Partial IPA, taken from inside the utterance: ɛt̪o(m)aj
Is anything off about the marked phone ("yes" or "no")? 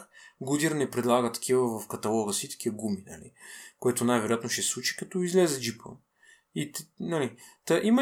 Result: yes